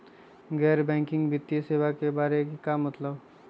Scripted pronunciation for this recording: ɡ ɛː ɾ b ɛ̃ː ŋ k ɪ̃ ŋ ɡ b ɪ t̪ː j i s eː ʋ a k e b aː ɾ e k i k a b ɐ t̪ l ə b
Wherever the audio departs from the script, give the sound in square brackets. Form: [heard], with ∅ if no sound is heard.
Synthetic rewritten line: ɡ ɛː ɾ b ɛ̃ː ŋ k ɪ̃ ŋ ɡ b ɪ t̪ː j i s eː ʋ a k e b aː ɾ e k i k a [m] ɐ t̪ l ə b